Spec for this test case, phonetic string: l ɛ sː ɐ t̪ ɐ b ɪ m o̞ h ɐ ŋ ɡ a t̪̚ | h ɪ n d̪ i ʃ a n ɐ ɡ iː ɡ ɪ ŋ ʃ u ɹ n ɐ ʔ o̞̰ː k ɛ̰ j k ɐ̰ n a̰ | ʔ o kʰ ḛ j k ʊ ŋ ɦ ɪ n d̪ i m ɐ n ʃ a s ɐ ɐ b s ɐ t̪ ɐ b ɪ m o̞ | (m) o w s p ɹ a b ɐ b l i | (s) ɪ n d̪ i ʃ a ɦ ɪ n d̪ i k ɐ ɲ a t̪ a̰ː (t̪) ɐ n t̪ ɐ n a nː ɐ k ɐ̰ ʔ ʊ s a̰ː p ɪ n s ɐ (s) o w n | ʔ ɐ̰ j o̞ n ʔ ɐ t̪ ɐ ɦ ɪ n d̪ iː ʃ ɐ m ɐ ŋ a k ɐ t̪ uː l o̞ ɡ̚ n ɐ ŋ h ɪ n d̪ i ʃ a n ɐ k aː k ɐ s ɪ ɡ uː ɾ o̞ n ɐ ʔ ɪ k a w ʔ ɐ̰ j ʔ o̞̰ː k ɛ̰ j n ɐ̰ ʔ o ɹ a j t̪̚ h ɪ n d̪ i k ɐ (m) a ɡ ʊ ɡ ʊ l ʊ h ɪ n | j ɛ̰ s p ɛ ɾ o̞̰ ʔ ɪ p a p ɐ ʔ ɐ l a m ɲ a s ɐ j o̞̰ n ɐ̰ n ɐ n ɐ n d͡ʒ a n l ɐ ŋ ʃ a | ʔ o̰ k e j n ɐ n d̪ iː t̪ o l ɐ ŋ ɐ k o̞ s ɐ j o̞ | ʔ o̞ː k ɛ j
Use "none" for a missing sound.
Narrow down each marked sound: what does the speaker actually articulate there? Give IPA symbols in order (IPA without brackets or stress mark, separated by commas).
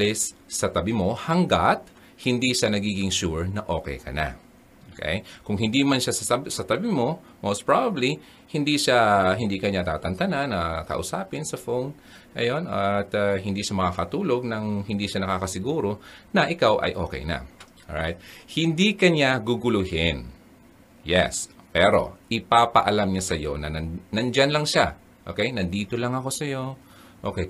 m, h, t̪, f, ɲ